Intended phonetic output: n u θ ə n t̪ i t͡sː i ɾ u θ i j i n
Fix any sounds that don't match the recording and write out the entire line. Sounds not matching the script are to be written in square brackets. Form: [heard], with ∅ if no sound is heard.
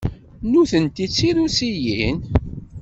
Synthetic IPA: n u θ ə n t̪ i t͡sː i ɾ u [s] i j i n